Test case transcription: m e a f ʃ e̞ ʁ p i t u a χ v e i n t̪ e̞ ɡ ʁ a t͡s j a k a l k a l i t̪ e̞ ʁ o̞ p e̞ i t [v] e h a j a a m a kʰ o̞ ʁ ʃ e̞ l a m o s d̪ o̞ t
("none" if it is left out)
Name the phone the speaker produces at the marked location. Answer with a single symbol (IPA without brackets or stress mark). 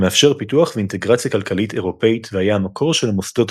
v